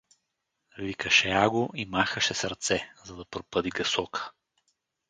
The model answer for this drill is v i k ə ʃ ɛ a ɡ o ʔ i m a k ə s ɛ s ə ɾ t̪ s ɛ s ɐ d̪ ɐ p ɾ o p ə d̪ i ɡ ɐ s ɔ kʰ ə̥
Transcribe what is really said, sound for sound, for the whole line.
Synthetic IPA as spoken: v i k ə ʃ ɛ a ɡ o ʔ i m a x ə ʃ ɛ s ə ɾ t̪ s ɛ z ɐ d̪ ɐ p ɾ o p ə d̪ i ɡ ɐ s ɔ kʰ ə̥